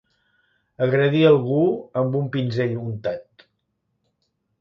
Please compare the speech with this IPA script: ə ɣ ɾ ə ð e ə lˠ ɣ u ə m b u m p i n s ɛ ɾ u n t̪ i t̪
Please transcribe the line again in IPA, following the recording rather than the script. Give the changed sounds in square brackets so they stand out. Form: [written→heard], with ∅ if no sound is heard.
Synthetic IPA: ə ɣ ɾ ə ð [e→i] ə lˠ ɣ u ə m b u m p i n [s→z] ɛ [ɾ→ʎ] u n t̪ [i→a] t̪